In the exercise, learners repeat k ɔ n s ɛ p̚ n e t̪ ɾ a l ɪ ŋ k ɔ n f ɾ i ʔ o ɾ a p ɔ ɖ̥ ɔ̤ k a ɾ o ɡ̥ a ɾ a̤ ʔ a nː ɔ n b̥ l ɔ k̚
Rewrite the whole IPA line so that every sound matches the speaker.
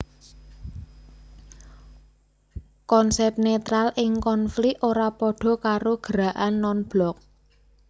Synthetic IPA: k ɔ n s ɛ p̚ n e t̪ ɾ a l ɪ ŋ k ɔ n f l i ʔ o ɾ a p ɔ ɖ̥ ɔ̤ k a ɾ o ɡ̥ ə ɾ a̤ ʔ a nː ɔ n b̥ l ɔ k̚